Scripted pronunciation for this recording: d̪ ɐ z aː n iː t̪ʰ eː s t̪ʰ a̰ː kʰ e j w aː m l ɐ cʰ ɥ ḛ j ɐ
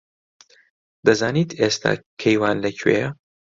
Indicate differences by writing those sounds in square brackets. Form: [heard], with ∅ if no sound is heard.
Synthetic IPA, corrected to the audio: d̪ ɐ z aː n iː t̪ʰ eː s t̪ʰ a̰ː kʰ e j w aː [n] l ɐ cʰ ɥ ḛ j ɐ

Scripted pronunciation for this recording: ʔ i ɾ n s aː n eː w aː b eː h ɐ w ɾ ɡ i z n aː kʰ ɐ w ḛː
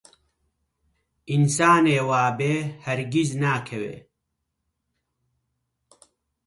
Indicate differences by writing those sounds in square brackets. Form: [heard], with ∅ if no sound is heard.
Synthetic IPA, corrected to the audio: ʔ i [∅] n s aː n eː w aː b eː h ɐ [∅] ɾ ɡ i z n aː kʰ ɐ w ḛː

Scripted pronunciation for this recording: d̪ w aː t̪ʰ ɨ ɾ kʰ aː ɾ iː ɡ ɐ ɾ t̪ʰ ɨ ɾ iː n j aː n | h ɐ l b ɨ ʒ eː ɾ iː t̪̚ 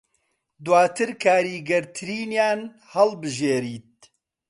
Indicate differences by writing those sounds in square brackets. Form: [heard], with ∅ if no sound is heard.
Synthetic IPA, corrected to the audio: d̪ w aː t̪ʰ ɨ ɾ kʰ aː ɾ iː ɡ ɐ ɾ t̪ʰ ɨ ɾ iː n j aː n | h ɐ l b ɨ ʒ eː ɾ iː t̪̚

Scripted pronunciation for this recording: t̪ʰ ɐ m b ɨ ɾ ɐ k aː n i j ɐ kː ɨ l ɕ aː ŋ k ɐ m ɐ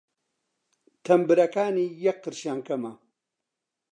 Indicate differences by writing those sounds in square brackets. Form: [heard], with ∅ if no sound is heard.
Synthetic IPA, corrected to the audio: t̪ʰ ɐ m b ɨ ɾ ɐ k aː n i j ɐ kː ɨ [ɾ] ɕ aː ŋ k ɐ m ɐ

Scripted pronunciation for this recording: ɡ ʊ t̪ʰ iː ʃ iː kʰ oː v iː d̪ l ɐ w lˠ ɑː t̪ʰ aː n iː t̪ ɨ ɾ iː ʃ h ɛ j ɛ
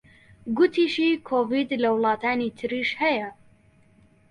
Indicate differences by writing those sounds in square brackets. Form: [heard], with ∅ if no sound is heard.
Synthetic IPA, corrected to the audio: ɡ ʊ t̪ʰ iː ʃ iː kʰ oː v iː d̪ l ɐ w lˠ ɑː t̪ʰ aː n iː [t̪ʰ] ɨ ɾ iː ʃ h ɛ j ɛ

